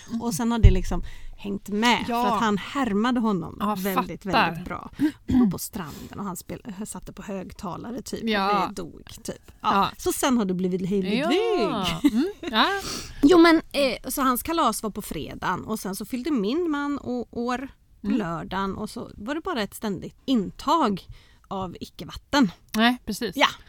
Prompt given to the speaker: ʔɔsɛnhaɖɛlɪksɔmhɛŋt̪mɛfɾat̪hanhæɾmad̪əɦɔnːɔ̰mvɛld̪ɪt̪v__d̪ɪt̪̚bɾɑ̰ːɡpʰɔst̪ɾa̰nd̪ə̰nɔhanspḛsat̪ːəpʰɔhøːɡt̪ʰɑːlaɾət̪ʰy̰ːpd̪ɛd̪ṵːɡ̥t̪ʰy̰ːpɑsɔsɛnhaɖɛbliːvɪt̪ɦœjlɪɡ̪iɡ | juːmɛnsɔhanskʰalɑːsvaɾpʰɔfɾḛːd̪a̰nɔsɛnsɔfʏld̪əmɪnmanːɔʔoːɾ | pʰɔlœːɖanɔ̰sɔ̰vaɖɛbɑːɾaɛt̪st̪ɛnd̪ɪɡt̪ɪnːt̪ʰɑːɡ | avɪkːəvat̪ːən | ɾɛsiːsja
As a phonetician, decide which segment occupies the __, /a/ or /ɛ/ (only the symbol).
ɛ